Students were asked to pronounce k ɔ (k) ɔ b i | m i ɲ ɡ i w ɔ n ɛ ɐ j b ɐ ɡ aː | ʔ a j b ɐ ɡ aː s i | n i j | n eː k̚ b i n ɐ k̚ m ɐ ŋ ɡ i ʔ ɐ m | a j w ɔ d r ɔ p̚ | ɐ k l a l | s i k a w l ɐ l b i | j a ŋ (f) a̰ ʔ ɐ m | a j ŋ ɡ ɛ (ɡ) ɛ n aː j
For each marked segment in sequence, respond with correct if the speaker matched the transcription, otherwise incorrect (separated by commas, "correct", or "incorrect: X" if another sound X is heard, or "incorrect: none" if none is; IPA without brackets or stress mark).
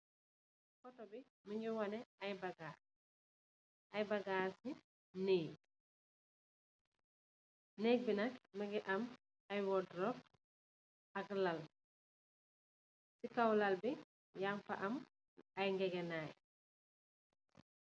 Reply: incorrect: t, correct, correct